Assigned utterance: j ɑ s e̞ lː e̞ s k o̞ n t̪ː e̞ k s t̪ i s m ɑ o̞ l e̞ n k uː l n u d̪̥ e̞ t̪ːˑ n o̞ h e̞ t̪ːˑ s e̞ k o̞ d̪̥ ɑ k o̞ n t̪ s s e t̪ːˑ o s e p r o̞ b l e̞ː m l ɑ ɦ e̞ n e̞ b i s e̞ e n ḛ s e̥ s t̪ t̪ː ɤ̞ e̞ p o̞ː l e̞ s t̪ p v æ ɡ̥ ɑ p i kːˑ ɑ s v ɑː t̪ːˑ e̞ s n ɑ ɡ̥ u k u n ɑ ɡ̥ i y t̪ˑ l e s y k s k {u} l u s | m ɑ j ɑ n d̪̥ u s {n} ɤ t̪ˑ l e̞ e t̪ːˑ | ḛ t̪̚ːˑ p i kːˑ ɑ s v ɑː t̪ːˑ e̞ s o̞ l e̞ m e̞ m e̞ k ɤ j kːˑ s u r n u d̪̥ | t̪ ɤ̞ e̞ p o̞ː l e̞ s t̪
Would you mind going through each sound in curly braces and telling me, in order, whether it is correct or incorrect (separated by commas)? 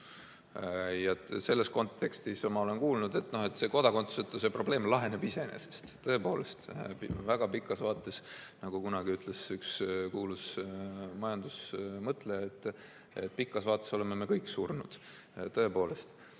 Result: incorrect, incorrect